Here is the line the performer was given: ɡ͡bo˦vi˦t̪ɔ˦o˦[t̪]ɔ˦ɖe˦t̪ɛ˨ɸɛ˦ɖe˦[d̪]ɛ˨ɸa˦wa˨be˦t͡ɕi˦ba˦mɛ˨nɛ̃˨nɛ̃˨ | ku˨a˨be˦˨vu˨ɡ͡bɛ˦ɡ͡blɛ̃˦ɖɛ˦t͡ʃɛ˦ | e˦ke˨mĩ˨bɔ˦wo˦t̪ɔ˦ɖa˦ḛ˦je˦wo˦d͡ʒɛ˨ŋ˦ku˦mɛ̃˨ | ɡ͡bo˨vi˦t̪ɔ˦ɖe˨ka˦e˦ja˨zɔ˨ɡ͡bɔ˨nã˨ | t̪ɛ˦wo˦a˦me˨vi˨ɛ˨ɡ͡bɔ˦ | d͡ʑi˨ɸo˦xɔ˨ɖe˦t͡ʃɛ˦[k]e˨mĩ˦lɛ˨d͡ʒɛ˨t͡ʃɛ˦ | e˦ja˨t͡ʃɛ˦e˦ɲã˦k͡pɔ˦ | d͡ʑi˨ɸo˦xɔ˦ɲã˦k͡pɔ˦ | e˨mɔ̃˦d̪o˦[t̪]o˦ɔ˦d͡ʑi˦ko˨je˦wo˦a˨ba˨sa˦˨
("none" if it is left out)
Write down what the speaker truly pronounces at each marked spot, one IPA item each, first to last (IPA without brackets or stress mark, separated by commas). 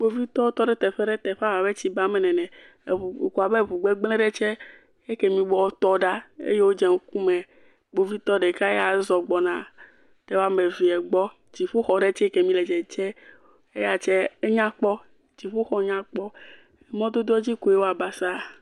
t̪, t̪, k, d̪